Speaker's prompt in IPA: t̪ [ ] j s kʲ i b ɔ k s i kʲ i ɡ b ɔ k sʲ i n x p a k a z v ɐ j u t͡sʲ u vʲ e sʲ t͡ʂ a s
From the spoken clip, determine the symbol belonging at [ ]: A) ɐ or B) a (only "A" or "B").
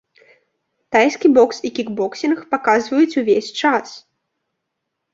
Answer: B